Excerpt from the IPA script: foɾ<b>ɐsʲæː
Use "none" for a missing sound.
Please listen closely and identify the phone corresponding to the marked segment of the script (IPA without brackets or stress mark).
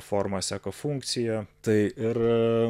m